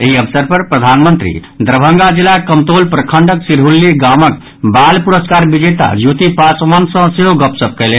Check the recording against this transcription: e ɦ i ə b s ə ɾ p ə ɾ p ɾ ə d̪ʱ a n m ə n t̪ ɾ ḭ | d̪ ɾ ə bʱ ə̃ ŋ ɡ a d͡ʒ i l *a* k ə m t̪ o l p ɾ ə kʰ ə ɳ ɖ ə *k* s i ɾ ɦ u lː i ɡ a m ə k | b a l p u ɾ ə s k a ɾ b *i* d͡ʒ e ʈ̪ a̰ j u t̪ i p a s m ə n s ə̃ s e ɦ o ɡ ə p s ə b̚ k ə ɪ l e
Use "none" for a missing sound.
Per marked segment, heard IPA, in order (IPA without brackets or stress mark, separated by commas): a, k, i